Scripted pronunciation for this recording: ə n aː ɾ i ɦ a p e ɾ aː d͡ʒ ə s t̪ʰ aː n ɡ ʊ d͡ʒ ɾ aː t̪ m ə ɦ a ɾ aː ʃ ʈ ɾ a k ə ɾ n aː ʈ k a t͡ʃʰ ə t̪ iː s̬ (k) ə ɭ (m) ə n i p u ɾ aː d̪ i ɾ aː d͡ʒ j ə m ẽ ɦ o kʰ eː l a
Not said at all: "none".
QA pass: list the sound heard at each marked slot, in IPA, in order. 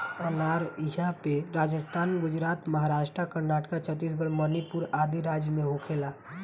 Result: ɡ, m

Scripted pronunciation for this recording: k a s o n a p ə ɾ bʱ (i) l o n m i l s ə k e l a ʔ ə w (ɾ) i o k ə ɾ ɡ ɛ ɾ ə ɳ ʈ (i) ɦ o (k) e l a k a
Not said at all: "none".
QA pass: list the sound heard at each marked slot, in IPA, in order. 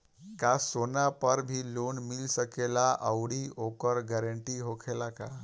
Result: i, ɽ, i, kʰ

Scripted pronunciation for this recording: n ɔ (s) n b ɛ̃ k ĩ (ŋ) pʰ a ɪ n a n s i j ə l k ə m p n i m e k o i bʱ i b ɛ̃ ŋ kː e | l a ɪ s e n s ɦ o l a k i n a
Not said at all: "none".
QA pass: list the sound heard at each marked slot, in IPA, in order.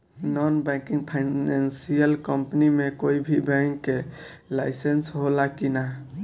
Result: none, ŋ

